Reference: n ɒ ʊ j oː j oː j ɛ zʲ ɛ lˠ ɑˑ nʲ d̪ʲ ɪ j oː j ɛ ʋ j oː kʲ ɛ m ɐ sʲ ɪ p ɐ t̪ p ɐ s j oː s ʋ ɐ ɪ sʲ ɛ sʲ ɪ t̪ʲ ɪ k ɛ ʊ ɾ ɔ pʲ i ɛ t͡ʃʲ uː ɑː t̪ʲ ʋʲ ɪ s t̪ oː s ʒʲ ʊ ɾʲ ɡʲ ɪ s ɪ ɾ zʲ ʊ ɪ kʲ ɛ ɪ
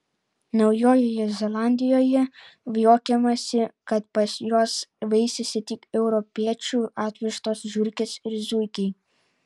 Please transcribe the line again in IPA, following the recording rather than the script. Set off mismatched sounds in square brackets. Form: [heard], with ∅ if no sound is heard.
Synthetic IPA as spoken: n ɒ ʊ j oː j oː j ɛ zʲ ɛ lˠ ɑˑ nʲ d̪ʲ ɪ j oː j ɛ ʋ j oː kʲ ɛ m ɐ sʲ ɪ [k] ɐ t̪ p ɐ s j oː s ʋ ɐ ɪ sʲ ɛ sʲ ɪ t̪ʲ ɪ k ɛ ʊ ɾ ɔ pʲ i ɛ t͡ʃʲ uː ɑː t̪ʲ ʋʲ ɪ [ʃ] t̪ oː s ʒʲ ʊ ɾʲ [kʲ] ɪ s ɪ ɾ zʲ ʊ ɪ kʲ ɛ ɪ